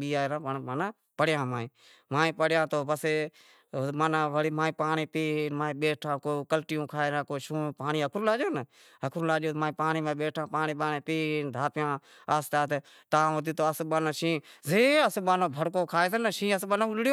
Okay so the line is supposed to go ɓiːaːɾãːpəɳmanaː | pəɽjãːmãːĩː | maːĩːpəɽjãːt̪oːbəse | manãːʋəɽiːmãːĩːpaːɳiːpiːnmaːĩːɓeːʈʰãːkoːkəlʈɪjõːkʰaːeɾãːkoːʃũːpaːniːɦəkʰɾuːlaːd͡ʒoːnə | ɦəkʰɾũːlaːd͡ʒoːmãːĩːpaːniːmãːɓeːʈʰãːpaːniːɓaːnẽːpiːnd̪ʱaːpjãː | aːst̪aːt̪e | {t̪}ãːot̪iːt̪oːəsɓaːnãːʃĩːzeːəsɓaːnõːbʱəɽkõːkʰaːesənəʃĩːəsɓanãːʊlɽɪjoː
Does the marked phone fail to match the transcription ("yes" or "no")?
no